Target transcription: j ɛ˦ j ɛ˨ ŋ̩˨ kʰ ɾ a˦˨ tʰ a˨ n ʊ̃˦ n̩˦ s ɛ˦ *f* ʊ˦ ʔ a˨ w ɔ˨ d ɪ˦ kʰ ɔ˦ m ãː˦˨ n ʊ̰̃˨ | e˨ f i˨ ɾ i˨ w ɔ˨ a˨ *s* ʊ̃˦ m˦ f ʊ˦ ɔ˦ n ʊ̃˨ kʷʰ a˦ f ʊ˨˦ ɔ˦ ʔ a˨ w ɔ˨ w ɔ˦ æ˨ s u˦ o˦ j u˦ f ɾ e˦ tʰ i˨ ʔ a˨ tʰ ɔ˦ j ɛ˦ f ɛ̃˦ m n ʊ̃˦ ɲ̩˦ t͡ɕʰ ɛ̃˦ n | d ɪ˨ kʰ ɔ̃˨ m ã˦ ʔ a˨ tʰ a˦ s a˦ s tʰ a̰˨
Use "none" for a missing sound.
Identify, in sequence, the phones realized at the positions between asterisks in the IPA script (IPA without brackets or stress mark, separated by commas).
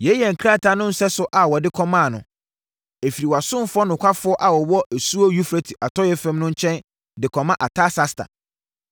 s, s